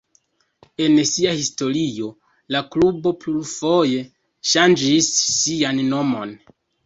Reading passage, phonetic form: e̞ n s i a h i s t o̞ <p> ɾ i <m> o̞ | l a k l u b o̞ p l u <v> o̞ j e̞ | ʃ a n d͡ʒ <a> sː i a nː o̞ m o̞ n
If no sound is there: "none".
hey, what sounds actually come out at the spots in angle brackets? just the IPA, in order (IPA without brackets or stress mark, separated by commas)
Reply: none, none, f, i